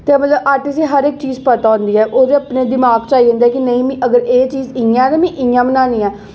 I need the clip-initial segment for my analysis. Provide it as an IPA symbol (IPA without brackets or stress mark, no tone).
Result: t̪